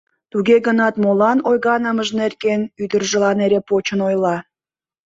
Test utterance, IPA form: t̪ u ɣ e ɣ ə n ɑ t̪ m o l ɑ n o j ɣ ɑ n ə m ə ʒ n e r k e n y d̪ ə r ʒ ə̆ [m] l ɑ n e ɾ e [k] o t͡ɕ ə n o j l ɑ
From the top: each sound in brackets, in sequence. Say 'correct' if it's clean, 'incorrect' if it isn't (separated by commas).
incorrect, incorrect